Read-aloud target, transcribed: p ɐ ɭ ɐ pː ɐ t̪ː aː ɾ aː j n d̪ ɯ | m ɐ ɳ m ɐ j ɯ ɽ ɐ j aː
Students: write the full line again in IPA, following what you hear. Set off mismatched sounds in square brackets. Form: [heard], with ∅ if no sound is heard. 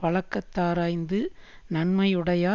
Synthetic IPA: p ɐ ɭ ɐ [kː] ɐ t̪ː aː ɾ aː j n d̪ ɯ | [n] ɐ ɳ m ɐ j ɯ ɽ ɐ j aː